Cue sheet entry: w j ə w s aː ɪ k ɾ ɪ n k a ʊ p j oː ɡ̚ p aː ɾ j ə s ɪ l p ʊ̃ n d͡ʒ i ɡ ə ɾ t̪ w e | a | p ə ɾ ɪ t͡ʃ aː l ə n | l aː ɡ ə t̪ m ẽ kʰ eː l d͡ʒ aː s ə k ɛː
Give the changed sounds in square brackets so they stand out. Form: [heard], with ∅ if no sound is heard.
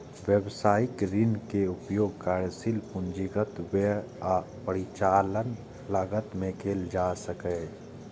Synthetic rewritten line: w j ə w s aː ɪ k ɾ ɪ n k [e] ʊ p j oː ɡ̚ [k] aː ɾ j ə s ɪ l p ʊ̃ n d͡ʒ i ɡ ə [∅] t̪ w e | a | p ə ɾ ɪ t͡ʃ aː l ə n | l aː ɡ ə t̪ m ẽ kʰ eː l d͡ʒ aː s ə k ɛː